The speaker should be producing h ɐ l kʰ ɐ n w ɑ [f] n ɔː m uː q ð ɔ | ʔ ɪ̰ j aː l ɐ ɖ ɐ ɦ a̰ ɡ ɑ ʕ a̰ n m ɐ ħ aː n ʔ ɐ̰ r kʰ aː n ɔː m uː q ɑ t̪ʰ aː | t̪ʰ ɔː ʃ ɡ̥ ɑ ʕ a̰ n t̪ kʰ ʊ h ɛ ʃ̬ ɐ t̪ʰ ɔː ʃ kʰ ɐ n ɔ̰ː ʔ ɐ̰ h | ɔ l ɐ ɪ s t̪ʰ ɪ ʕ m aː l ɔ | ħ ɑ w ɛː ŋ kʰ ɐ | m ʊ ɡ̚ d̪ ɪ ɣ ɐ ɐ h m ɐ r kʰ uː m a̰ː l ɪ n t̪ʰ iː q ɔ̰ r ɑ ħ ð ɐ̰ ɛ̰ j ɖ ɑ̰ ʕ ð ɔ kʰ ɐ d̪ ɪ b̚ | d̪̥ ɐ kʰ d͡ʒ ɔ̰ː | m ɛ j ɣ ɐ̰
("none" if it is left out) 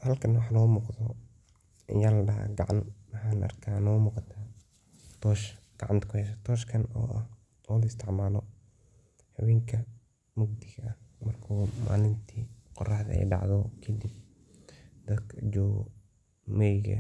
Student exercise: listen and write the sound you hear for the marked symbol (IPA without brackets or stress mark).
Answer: ħ